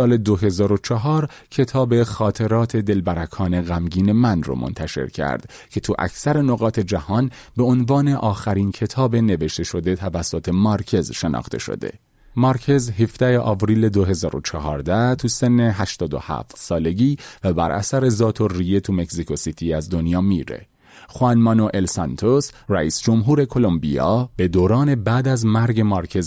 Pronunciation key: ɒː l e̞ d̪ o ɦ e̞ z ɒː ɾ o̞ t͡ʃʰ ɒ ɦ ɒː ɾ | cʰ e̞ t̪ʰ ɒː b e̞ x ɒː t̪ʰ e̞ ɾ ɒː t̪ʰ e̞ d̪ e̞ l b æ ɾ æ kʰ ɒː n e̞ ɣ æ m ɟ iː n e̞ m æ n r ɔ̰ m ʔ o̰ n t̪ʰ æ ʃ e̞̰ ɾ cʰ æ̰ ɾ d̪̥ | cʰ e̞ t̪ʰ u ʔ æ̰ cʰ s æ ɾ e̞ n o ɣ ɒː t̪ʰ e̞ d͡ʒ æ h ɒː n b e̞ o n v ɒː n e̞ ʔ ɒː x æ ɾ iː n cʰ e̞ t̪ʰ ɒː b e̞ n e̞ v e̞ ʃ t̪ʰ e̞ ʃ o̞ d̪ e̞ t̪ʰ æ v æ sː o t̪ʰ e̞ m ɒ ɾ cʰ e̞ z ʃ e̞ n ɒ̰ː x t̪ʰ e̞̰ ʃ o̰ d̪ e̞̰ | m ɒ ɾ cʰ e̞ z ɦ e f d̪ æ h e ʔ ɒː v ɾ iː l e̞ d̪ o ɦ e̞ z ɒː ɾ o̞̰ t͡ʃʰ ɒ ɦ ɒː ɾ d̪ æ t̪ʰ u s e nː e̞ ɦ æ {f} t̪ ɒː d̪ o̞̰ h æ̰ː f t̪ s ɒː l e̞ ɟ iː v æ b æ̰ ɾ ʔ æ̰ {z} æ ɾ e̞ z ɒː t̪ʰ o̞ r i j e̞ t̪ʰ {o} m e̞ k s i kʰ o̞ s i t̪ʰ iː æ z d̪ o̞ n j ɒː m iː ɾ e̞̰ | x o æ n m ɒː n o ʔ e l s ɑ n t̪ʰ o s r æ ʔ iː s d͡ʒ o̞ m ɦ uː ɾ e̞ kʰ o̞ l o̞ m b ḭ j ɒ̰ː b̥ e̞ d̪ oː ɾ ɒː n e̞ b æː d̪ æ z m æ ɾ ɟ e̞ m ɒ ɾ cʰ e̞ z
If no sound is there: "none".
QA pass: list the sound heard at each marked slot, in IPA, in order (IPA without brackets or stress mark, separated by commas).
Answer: ʃ, s, u